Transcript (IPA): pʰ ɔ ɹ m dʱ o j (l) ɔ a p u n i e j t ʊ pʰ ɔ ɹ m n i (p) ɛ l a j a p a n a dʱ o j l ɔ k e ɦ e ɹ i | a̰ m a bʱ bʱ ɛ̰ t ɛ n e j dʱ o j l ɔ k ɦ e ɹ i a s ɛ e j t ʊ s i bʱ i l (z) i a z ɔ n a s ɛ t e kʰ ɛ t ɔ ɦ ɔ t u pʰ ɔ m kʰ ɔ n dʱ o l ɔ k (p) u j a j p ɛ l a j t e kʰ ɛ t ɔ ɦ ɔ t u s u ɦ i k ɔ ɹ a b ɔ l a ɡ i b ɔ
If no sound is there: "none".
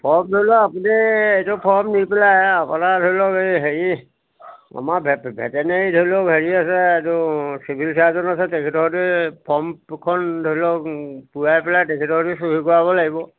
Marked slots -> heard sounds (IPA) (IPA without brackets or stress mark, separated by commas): l, p, s, p